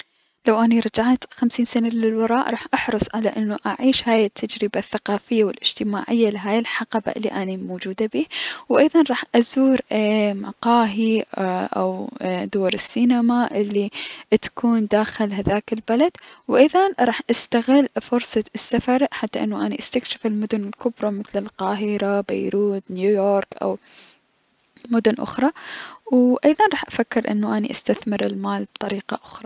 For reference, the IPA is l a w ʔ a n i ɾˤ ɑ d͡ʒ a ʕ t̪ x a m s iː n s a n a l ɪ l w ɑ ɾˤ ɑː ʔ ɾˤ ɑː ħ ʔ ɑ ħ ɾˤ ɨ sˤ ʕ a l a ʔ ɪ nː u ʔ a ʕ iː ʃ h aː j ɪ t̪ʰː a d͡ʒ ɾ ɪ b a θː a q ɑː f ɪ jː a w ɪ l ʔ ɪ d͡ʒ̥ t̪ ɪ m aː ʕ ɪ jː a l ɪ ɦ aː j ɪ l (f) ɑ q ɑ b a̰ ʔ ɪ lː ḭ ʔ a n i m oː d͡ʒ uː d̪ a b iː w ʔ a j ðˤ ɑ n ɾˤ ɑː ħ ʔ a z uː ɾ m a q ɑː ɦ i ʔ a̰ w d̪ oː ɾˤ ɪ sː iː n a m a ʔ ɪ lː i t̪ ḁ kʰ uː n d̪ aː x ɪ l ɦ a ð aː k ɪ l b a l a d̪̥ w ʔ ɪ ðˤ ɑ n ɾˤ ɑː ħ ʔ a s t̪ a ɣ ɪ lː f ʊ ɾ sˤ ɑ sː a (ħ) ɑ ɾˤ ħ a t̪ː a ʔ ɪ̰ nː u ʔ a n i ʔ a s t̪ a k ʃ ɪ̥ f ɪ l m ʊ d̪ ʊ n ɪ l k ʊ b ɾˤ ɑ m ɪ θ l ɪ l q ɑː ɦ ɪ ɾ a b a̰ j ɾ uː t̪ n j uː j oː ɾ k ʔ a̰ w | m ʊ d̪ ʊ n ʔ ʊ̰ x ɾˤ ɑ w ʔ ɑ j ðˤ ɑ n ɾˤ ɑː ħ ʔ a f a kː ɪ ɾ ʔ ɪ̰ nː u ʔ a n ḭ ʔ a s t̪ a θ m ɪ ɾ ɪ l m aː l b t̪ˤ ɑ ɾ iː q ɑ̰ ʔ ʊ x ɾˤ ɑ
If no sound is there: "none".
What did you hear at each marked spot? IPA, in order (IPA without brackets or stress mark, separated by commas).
ħ, f